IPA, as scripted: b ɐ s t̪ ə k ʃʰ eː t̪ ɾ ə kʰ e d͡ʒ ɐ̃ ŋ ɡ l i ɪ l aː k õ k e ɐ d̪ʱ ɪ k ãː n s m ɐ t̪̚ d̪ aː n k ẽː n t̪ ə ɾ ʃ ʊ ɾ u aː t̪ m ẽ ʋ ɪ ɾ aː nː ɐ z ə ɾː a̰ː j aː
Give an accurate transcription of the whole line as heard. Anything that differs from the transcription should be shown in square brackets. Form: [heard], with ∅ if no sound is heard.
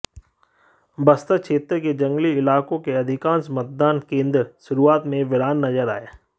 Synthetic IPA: b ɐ s t̪ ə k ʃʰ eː t̪ ɾ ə [k] e d͡ʒ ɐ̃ ŋ ɡ l i ɪ l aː k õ k e ɐ d̪ʱ ɪ k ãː n s m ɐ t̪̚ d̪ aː n k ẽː n [d̪] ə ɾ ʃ ʊ ɾ u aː t̪ m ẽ ʋ ɪ ɾ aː nː ɐ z ə [ɾ] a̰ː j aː

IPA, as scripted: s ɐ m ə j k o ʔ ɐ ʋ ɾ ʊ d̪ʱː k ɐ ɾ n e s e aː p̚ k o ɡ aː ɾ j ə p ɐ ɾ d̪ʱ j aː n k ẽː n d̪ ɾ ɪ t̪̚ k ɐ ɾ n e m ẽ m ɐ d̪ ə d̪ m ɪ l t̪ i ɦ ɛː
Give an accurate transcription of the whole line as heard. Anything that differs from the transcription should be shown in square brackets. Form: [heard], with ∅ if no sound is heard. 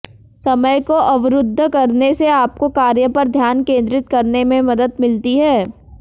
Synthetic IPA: s ɐ m ə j k o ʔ ɐ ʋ ɾ ʊ d̪ʱː k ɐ ɾ n e s e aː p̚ k o [k] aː ɾ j ə p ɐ ɾ d̪ʱ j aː n k ẽː n d̪ ɾ ɪ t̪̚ k ɐ ɾ n e m ẽ m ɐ d̪ ə d̪ m ɪ l t̪ i ɦ ɛː

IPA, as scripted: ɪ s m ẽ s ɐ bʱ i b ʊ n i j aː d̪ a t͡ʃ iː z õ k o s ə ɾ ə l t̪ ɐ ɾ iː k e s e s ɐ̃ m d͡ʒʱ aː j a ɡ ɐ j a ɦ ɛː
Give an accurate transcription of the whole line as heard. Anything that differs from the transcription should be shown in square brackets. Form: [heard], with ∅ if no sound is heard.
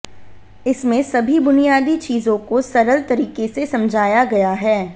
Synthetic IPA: ɪ s m ẽ s ɐ bʱ i b ʊ n i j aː d̪ [i] t͡ʃ iː z õ k o s [ɐ] ɾ ə l t̪ ɐ ɾ iː k e s e s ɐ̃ m d͡ʒʱ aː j a ɡ ɐ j a ɦ ɛː

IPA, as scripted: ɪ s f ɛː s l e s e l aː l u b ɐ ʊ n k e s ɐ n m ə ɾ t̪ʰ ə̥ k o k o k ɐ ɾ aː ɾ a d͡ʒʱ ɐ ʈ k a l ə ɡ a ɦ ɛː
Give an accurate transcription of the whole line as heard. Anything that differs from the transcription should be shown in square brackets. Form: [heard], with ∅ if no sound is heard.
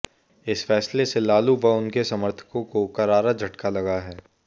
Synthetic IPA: ɪ s f ɛː s l e s e l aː l u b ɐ ʊ n k e s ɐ [∅] m ə ɾ t̪ʰ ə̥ k [õ] k o k ɐ ɾ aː ɾ a d͡ʒʱ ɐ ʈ k a l [ɐ] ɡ a ɦ ɛː

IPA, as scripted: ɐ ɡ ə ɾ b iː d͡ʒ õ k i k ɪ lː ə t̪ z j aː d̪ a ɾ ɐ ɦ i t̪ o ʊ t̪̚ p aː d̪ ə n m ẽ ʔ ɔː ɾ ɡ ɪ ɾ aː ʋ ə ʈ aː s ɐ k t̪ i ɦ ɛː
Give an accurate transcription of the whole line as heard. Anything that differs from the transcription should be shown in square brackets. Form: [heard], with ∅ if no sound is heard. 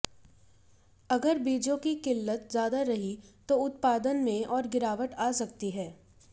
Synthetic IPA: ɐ ɡ ə ɾ b iː d͡ʒ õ k i k ɪ lː ə t̪ z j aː d̪ a ɾ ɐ ɦ i t̪ o ʊ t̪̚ p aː d̪ ə n m ẽ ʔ ɔː ɾ ɡ ɪ ɾ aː ʋ ə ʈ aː s ɐ k t̪ i ɦ ɛː

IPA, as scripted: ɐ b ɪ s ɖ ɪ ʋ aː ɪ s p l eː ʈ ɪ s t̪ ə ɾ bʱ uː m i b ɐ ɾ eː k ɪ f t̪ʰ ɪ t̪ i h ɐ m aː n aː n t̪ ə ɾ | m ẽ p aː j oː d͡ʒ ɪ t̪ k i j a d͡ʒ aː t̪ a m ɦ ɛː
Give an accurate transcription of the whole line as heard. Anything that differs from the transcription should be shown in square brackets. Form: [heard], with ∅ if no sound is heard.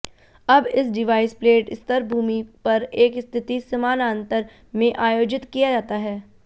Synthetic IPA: ɐ b ɪ s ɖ ɪ ʋ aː ɪ s p l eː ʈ ɪ s t̪ ə ɾ bʱ uː m i [p] ɐ ɾ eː k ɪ [s] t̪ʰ ɪ t̪ i [s] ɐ m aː n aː n t̪ ə ɾ | m ẽ [ʔ] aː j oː d͡ʒ ɪ t̪ k i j a d͡ʒ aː t̪ a [∅] ɦ ɛː

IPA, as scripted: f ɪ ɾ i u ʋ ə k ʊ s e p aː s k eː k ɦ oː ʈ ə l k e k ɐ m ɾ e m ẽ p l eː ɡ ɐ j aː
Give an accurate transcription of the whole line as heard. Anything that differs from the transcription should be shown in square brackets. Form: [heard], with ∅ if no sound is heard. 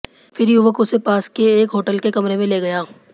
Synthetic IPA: f ɪ ɾ [j] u ʋ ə k ʊ s e p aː s k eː k ɦ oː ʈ ə l k e k ɐ m ɾ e m ẽ [∅] l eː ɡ ɐ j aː

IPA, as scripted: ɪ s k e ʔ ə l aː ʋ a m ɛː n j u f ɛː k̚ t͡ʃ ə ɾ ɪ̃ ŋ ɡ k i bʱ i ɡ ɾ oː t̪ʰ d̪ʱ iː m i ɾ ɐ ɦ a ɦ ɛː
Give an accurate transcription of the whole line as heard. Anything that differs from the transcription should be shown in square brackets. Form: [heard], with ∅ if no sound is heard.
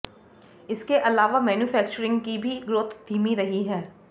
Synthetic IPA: ɪ s k e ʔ [ɐ] l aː ʋ a m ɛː n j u f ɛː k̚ t͡ʃ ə ɾ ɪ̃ ŋ ɡ k i bʱ i ɡ ɾ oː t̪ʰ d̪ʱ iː m i ɾ ɐ ɦ [i] ɦ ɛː

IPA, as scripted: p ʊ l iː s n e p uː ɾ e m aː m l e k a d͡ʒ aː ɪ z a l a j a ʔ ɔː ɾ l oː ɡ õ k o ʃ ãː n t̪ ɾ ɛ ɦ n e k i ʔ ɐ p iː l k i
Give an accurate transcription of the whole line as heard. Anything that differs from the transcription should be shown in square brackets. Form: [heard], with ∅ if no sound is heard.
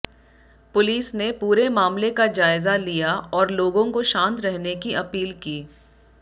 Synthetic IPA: p ʊ l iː s n e p uː ɾ e m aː m l e k a d͡ʒ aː ɪ z a l [i] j a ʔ ɔː ɾ l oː ɡ õ k o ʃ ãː n t̪ ɾ ɛ ɦ n e k i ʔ ɐ p iː l k [iː]

